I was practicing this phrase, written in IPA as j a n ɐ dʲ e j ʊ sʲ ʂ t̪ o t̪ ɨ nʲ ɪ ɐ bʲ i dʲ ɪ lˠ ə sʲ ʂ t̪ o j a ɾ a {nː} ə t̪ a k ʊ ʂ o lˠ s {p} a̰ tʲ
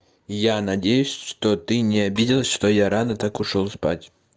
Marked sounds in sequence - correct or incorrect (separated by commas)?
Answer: incorrect, correct